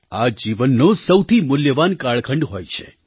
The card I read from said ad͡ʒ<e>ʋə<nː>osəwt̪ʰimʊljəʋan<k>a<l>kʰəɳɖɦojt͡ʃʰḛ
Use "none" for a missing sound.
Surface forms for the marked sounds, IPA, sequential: i, nː, k, ɭ

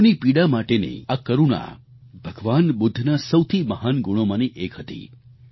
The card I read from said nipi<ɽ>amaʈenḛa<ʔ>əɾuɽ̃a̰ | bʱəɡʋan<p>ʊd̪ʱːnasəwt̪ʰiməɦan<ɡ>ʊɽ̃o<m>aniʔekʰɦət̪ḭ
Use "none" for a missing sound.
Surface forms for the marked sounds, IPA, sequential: ɽ, k, b, ɡ, m

